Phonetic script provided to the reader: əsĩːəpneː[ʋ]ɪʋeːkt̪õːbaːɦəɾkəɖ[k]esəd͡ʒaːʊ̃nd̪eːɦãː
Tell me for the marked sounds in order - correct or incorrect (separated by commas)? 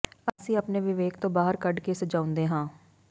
correct, correct